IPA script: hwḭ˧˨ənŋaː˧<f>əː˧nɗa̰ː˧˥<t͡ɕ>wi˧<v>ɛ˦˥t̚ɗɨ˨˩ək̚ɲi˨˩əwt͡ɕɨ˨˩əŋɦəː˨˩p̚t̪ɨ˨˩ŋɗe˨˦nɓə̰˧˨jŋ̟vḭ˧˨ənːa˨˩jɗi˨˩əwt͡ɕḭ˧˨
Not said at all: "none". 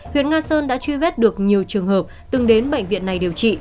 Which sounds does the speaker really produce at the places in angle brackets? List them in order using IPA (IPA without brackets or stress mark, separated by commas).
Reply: s, t͡ɕ, v